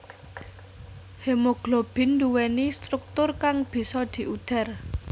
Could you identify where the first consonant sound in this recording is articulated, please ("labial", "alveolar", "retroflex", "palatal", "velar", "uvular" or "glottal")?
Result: glottal